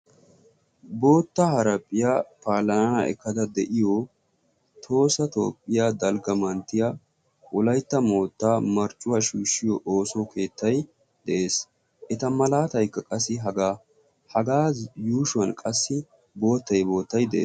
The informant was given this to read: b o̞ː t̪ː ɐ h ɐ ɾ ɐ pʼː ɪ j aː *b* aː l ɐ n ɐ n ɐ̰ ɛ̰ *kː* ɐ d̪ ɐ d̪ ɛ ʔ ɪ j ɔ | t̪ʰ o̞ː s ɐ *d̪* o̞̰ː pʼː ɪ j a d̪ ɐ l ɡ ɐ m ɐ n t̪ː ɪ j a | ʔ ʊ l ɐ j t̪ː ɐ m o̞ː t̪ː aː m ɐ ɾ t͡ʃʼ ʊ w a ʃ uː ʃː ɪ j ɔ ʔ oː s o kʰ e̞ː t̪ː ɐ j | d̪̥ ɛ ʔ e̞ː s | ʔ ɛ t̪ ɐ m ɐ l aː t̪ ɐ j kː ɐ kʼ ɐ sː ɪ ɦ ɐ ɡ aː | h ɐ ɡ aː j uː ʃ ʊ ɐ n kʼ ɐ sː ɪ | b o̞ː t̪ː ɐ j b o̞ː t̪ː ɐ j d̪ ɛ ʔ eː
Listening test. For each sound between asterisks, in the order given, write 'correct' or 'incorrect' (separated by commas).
incorrect, correct, incorrect